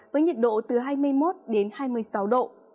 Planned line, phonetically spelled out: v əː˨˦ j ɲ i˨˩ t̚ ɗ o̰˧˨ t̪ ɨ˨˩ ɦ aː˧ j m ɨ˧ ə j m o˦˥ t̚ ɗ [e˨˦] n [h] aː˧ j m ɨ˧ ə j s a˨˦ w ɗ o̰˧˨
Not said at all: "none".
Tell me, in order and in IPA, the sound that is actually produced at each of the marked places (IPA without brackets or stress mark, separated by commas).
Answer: e˨˦, h